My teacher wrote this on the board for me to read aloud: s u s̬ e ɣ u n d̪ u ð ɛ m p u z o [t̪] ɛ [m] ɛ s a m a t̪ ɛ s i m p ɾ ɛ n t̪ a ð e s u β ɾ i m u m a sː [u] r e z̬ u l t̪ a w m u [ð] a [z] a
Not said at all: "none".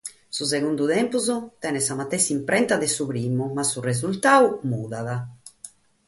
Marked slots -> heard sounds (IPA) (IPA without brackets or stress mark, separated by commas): t̪, n, u, ð, ð